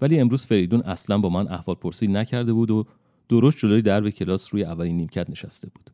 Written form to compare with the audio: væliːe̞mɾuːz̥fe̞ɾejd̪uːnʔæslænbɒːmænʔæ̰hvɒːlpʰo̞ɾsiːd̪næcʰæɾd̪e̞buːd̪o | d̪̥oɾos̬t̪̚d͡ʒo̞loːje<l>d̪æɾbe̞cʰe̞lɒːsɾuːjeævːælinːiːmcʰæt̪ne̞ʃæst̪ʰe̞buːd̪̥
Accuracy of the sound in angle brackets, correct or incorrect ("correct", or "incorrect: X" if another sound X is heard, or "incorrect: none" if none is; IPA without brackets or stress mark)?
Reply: incorrect: none